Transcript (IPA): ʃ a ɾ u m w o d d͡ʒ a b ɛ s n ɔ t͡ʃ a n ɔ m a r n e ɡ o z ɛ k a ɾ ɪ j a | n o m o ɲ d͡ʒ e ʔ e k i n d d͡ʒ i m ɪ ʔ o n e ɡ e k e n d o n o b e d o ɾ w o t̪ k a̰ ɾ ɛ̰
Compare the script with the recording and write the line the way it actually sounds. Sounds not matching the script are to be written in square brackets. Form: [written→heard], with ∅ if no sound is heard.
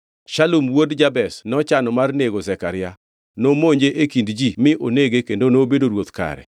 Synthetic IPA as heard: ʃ a [ɾ→l] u m w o d d͡ʒ a b ɛ s n ɔ t͡ʃ a n ɔ m a r n e ɡ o z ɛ k a ɾ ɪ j a | n o m o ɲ d͡ʒ e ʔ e k i n d d͡ʒ i m ɪ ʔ o n e ɡ e k e n d o n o b e d o ɾ w o t̪ k a̰ ɾ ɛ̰